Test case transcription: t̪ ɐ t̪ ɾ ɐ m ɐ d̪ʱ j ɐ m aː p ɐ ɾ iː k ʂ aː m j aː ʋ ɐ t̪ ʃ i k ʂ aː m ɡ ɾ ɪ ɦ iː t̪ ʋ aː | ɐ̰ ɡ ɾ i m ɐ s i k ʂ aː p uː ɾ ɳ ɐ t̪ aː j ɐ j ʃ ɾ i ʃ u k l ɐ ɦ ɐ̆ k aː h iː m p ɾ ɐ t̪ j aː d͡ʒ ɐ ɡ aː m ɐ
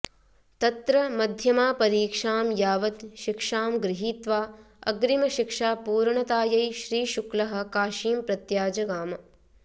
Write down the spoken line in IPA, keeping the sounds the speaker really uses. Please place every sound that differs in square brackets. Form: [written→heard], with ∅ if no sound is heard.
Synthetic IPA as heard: t̪ ɐ t̪ ɾ ɐ m ɐ d̪ʱ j ɐ m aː p ɐ ɾ iː k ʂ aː m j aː ʋ ɐ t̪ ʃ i k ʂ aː m ɡ ɾ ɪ ɦ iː t̪ ʋ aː | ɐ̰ ɡ ɾ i m ɐ [s→ʃ] i k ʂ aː p uː ɾ ɳ ɐ t̪ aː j ɐ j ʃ ɾ [i→iː] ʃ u k l ɐ ɦ ɐ̆ k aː [h→ʃ] iː m p ɾ ɐ t̪ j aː d͡ʒ ɐ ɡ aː m ɐ